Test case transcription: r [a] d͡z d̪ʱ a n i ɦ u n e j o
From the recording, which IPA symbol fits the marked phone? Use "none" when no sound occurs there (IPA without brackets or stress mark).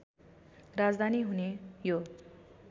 a